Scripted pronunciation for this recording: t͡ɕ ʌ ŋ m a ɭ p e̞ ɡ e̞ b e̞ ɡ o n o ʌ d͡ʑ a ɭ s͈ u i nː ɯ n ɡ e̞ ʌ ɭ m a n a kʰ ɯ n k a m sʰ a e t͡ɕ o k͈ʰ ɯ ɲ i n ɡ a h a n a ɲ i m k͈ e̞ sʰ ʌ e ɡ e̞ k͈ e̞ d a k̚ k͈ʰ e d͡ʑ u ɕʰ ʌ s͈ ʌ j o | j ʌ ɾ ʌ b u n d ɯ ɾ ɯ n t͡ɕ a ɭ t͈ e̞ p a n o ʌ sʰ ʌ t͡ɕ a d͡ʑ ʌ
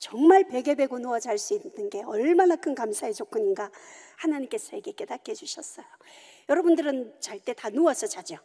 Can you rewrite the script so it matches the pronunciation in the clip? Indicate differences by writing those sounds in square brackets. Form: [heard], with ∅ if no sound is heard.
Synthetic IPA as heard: t͡ɕ ʌ ŋ m a ɭ p e̞ ɡ e̞ b e̞ ɡ o n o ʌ d͡ʑ a ɭ s͈ u i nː ɯ n ɡ e̞ ʌ ɭ m a n a kʰ ɯ n k a m sʰ a e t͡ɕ o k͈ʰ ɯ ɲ i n ɡ a h a n a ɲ i m k͈ e̞ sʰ ʌ e ɡ e̞ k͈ e̞ d a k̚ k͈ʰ e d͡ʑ u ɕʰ ʌ s͈ ʌ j o | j ʌ ɾ ʌ b u n d ɯ ɾ ɯ n t͡ɕ a ɭ t͈ e̞ [t] a n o ʌ sʰ ʌ t͡ɕ a d͡ʑ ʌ